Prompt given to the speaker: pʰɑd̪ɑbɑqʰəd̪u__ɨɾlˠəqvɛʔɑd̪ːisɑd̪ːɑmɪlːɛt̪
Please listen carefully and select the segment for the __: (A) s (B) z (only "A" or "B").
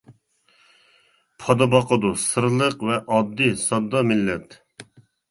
A